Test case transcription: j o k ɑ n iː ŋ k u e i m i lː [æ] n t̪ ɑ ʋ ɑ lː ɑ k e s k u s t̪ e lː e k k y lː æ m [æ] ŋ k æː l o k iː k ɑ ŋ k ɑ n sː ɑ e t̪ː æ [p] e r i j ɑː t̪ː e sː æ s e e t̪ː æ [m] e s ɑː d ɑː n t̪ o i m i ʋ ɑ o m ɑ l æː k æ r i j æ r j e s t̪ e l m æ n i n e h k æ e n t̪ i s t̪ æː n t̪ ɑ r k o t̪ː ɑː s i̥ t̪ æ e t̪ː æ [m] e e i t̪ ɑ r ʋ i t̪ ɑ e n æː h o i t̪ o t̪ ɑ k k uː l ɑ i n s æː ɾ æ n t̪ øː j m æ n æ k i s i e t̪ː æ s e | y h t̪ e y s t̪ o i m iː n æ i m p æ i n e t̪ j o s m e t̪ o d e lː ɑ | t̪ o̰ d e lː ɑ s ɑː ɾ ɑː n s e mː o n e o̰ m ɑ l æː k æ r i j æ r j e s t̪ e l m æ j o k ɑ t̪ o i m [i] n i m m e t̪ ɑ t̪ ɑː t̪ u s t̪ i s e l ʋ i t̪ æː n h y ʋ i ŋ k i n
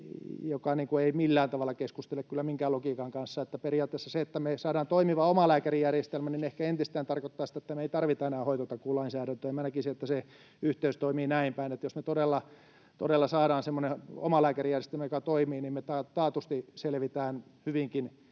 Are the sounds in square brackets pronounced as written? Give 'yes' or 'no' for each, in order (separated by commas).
no, no, yes, yes, yes, no